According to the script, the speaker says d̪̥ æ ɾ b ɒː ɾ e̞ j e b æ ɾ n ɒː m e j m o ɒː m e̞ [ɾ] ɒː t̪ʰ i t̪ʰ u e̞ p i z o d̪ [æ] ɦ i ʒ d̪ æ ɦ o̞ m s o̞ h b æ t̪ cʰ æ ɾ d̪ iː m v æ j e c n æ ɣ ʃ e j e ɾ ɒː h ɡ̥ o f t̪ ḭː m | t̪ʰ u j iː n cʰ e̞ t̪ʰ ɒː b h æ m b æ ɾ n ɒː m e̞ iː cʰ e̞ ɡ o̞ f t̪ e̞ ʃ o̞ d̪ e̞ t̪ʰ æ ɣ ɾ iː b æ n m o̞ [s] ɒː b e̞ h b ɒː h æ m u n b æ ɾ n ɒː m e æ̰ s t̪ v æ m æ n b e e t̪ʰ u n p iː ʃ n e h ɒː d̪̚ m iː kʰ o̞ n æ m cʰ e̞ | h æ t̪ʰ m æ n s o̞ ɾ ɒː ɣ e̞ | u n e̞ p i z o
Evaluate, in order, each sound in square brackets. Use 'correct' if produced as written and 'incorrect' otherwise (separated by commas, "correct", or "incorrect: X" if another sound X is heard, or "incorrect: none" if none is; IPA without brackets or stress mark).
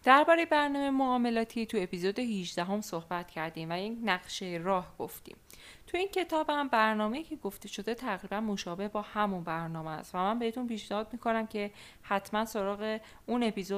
incorrect: l, incorrect: e, incorrect: ʃ